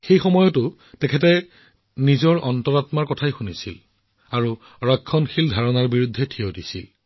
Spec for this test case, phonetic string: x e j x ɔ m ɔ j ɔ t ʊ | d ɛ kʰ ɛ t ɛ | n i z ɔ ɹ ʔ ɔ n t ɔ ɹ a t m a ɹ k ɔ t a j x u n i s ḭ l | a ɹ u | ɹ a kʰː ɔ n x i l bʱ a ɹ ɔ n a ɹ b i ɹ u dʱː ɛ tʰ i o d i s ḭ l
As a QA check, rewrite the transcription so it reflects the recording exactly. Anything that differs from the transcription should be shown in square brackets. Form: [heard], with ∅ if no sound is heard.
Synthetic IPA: x e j x ɔ m ɔ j ɔ t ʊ | [t] ɛ kʰ ɛ t ɛ | n i z ɔ ɹ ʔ ɔ n t ɔ ɹ a t m a ɹ k ɔ [tʰ] a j x u n i s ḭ l | a ɹ u | ɹ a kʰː ɔ n x i l [dʱ] a ɹ ɔ n a ɹ b i ɹ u dʱː ɛ tʰ i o d i s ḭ l